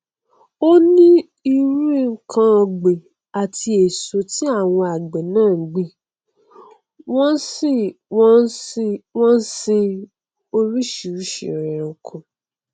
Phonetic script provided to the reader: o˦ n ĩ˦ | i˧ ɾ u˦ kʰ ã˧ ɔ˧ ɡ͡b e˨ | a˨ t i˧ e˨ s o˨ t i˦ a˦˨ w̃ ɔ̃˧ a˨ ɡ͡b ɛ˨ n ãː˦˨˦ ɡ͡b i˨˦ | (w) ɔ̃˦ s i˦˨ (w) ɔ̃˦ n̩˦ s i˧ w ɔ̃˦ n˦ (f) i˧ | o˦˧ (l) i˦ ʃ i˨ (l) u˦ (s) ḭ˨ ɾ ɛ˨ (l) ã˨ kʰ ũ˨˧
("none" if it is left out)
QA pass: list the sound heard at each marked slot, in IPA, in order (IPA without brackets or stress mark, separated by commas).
w, w, s, ɾ, ɾ, ʃ, ɾ